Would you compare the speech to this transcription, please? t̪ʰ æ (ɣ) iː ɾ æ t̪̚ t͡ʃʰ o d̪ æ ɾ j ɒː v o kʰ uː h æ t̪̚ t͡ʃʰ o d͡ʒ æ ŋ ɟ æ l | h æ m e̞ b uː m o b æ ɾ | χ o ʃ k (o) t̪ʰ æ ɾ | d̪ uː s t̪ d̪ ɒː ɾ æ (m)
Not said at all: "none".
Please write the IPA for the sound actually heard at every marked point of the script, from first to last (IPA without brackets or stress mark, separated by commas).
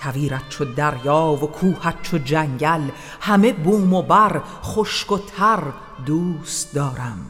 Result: v, o, m